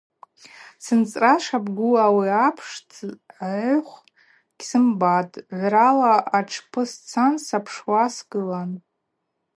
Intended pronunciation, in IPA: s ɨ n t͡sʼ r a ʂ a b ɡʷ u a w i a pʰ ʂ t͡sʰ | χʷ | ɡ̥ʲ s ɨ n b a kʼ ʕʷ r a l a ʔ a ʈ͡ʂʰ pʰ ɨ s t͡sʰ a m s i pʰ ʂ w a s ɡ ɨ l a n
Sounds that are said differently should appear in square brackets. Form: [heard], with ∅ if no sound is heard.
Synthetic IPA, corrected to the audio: s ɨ n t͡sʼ r a ʂ a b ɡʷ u a w i a pʰ ʂ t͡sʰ | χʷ | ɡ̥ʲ s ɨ [m] b a [tʼ] ʕʷ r a l a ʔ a ʈ͡ʂʰ pʰ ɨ s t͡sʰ a [n] s [a] pʰ ʂ w a s ɡ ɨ l a n

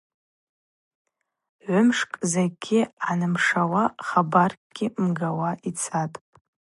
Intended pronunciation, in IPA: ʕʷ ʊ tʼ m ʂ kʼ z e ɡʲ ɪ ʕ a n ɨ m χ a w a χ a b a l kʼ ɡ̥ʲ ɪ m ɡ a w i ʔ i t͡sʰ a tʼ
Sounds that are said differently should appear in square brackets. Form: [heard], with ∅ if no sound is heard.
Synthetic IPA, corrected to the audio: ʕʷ ʊ [∅] m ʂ kʼ z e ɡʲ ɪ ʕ a n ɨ m [ʂ] a w a χ a b a [r] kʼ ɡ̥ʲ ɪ m ɡ a w [a] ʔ i t͡sʰ a tʼ

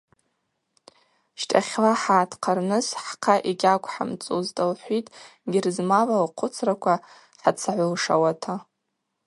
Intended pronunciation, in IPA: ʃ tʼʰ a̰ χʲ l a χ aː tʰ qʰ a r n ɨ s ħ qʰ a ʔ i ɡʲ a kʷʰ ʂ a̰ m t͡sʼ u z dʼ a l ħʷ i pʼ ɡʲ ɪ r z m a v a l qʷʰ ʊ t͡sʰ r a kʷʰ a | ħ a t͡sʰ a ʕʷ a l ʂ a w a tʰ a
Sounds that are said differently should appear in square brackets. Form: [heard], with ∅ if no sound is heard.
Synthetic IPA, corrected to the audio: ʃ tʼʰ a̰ χʲ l a [ħ] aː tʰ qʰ a r n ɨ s ħ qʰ a ʔ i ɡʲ a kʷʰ [ħ] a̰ m t͡sʼ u z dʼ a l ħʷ i [tʼ] ɡʲ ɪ r z m a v a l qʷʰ ʊ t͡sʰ r a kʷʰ a | ħ a t͡sʰ a ʕʷ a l ʂ a w a tʰ a

